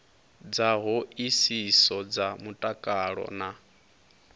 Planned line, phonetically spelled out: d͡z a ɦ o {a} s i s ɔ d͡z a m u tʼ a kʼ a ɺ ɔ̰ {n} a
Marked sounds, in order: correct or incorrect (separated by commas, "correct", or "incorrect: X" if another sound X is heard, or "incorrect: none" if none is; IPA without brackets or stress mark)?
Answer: incorrect: i, correct